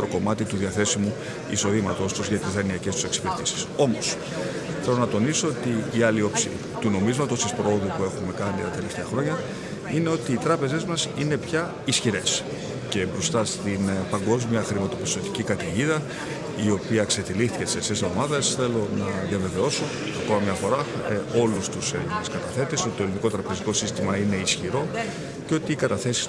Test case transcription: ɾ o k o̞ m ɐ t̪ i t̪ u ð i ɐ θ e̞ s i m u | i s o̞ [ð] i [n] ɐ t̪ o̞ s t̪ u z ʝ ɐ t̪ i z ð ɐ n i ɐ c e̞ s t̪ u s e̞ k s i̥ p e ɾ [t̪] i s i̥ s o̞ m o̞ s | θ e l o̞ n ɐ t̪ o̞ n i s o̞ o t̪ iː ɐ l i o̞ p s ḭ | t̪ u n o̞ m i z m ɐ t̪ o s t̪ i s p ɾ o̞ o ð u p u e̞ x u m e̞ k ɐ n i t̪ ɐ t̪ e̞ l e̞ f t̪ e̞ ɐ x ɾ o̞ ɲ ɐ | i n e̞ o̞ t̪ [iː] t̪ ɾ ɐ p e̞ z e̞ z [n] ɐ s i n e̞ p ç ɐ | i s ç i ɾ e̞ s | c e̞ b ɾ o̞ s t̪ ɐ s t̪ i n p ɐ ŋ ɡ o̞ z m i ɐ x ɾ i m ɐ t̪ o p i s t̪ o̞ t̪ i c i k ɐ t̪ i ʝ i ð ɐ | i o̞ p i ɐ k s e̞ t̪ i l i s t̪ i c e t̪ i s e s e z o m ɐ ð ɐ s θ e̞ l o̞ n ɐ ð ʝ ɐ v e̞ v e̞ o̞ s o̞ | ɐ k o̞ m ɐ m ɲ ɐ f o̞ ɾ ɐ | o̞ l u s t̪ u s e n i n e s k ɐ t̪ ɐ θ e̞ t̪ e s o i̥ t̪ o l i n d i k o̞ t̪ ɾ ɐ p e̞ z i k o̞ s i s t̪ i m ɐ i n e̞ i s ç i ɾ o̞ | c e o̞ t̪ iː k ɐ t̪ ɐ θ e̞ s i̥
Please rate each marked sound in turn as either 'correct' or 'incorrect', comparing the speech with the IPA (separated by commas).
correct, incorrect, correct, correct, incorrect